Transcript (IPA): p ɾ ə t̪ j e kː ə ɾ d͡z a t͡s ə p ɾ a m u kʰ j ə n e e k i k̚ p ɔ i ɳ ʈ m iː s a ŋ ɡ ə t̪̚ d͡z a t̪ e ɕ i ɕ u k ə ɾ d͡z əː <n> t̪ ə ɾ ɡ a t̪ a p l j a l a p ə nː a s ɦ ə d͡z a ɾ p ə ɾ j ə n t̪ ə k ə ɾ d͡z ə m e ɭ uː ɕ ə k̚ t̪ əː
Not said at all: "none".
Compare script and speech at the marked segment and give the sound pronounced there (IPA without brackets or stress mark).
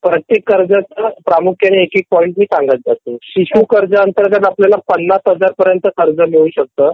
n